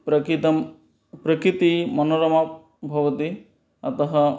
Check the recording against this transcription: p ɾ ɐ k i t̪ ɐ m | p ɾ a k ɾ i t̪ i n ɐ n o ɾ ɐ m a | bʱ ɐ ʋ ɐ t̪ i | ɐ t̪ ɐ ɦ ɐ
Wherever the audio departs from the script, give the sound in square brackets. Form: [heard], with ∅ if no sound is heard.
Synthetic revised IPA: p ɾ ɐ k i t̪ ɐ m | p ɾ [ɐ] k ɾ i t̪ i [m] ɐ n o ɾ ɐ m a | bʱ ɐ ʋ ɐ t̪ i | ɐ t̪ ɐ ɦ ɐ